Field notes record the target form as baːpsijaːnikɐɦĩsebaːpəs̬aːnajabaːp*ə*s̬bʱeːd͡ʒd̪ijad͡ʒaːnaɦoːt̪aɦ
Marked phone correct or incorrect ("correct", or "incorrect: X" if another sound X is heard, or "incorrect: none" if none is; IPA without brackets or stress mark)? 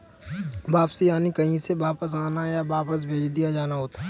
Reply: correct